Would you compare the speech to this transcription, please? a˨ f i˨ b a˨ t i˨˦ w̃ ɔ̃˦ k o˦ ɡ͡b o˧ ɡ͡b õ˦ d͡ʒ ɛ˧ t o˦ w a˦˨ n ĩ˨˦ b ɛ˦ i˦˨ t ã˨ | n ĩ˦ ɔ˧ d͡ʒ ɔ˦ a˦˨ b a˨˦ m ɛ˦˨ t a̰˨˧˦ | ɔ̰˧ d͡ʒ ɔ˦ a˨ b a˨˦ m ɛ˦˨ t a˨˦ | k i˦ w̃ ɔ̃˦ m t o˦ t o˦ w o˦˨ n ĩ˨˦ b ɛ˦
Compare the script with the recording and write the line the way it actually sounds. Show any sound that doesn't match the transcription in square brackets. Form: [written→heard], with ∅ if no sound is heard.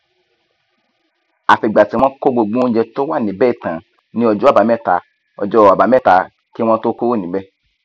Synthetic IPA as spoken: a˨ f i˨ [b→ɡ͡b] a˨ t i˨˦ w̃ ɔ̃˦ k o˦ ɡ͡b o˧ ɡ͡b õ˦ d͡ʒ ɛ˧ t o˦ w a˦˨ n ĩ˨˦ b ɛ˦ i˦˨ t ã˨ | n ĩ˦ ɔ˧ d͡ʒ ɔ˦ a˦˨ b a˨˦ m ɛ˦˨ t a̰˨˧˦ | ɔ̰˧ d͡ʒ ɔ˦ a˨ b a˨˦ m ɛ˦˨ t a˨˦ | k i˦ w̃ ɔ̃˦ [m→∅] t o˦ [t→k] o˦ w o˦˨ n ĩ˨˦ b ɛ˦